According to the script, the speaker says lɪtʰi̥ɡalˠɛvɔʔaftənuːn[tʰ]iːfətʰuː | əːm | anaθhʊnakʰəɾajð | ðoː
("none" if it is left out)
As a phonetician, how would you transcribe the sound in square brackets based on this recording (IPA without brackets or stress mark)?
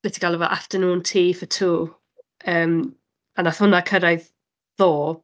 tʰ